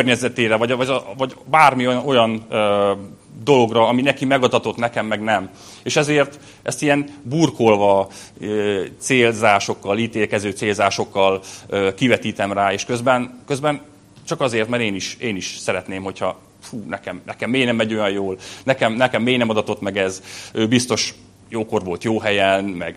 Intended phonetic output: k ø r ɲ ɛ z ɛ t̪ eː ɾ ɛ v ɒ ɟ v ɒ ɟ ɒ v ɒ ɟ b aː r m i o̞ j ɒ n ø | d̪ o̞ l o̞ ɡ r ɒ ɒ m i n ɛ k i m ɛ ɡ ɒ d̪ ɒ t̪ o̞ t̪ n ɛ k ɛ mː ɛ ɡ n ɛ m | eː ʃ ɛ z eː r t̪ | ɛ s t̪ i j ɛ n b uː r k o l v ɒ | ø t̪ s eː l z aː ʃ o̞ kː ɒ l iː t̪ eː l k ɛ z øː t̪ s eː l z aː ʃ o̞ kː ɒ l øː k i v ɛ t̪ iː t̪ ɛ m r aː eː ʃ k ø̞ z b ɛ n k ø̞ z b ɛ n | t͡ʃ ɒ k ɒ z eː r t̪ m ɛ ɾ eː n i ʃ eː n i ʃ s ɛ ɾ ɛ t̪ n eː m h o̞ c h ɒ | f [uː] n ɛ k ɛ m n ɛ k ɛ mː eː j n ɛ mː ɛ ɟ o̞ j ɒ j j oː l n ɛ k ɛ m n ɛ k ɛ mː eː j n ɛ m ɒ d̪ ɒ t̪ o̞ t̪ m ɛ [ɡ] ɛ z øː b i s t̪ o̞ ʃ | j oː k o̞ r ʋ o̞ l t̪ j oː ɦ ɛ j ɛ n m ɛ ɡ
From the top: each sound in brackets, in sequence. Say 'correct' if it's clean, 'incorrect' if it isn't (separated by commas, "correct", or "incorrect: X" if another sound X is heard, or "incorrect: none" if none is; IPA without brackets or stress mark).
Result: correct, correct